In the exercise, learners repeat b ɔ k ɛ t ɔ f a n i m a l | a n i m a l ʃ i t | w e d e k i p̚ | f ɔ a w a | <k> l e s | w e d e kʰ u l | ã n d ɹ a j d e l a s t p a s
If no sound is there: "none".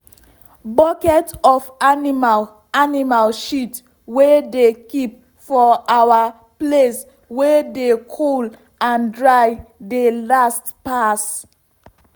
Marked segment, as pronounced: p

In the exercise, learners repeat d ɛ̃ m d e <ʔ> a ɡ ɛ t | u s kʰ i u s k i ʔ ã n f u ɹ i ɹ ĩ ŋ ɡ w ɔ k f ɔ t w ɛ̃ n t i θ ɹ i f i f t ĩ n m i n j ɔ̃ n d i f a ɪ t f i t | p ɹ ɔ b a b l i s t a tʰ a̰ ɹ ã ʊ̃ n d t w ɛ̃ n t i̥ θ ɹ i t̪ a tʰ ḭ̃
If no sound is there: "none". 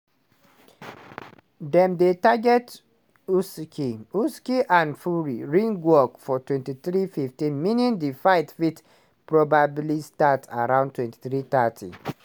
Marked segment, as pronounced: t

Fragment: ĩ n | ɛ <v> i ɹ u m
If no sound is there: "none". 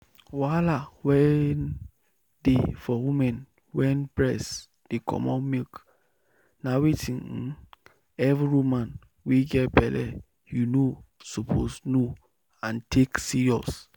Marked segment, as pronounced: v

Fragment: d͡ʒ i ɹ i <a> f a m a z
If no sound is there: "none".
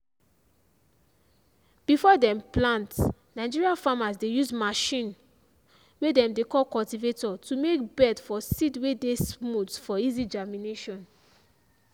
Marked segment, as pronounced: a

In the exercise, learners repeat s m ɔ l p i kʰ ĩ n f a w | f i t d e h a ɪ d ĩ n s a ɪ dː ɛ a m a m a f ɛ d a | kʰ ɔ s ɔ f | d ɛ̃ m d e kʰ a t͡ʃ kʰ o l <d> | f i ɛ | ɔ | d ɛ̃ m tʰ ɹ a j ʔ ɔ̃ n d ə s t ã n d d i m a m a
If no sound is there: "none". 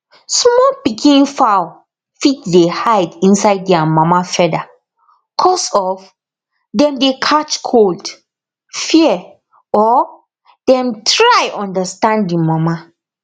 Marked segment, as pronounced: d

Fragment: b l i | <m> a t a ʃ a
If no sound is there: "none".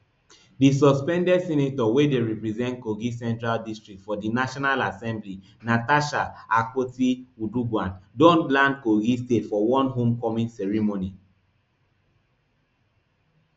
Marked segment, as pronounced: n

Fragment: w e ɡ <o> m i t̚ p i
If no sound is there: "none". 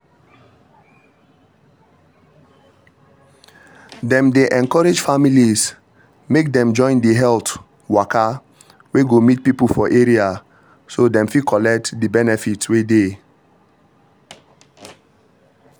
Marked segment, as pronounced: o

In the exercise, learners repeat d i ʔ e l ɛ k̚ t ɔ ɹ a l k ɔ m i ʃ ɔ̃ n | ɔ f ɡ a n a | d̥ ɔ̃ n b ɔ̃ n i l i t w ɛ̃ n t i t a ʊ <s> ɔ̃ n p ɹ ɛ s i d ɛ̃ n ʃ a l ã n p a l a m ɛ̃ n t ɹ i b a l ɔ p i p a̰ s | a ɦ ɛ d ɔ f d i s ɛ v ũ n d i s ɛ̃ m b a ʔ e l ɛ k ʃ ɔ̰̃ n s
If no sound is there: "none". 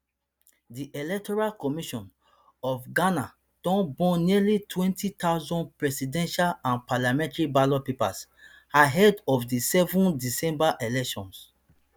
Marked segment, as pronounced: z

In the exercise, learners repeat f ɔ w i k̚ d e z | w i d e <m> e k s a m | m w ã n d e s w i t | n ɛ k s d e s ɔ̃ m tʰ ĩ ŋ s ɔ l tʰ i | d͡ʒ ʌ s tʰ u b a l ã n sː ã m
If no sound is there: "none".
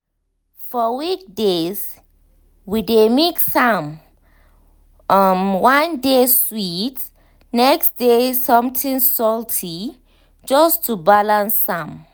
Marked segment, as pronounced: m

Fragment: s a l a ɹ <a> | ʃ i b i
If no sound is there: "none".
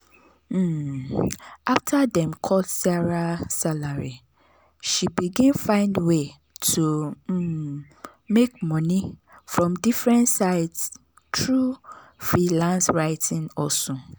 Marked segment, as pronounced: i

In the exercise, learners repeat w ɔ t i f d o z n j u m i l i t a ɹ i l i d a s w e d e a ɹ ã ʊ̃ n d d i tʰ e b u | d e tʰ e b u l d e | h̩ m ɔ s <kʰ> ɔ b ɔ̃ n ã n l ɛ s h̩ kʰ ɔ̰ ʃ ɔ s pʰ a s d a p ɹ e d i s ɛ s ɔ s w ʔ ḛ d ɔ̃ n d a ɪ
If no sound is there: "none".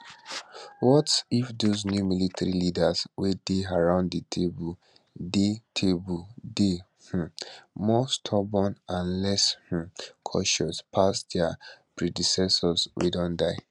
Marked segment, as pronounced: tʰ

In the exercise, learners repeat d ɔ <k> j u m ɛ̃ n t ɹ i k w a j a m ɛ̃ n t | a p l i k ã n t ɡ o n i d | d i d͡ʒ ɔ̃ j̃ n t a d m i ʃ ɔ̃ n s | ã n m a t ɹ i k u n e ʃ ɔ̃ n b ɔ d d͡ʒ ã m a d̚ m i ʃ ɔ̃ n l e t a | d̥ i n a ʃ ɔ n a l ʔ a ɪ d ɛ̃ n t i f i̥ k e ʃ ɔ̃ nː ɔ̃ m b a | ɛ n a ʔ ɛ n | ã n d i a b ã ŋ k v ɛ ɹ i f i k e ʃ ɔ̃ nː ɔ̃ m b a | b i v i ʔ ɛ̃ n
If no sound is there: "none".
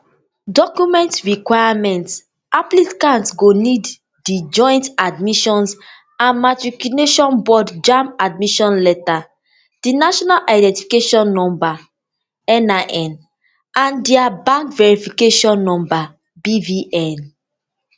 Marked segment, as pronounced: k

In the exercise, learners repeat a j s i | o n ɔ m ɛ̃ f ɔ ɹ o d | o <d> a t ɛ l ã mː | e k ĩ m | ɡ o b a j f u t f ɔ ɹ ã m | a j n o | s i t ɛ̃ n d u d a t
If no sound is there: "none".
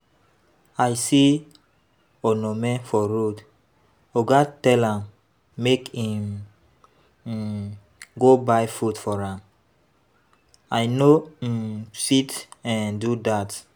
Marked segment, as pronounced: ɡ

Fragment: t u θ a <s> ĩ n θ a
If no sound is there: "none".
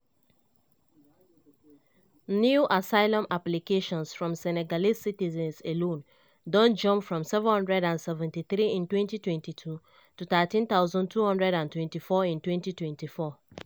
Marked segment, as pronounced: t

